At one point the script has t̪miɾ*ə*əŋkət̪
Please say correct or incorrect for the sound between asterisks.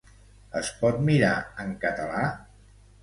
incorrect